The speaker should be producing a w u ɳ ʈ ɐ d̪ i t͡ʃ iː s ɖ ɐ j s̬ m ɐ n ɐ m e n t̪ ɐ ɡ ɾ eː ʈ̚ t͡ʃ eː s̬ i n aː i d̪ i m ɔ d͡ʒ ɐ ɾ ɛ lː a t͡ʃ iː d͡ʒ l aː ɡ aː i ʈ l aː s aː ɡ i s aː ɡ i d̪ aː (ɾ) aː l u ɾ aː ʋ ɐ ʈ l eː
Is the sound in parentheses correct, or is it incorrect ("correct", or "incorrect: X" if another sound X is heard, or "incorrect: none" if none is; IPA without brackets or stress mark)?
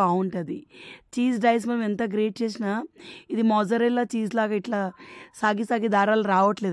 correct